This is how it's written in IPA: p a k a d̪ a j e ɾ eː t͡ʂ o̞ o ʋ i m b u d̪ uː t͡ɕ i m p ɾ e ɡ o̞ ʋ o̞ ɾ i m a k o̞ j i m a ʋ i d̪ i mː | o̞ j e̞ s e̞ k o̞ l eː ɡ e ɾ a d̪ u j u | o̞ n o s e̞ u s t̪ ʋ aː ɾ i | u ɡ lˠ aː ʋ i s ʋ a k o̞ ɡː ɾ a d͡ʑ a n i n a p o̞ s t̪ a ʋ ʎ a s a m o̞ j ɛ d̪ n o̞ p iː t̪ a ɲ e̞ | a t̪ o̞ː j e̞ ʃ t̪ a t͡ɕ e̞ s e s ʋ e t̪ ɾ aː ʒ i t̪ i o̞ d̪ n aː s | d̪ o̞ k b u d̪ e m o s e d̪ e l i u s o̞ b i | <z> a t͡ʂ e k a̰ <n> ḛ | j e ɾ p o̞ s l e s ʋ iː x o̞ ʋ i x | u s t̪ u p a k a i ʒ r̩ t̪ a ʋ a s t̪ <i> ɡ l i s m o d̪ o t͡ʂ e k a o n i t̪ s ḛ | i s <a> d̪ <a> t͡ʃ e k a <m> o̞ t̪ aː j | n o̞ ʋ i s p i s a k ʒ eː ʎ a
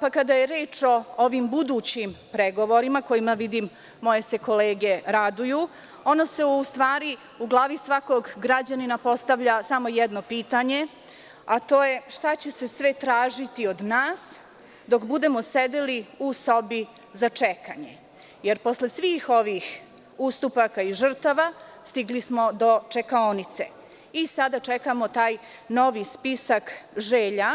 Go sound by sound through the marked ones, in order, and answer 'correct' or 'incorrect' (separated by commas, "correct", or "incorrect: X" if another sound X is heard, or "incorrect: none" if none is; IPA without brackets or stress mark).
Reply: correct, incorrect: ɲ, correct, correct, correct, correct